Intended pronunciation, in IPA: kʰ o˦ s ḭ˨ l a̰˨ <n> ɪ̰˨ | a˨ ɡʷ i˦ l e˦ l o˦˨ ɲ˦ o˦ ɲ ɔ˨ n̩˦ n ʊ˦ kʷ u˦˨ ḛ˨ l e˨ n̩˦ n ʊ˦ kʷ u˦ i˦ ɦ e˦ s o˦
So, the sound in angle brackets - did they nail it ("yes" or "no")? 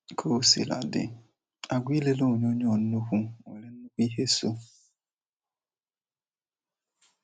no